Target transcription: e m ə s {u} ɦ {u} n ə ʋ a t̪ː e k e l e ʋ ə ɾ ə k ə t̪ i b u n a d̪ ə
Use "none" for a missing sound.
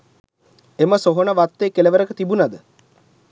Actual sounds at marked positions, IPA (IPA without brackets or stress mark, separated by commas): o, o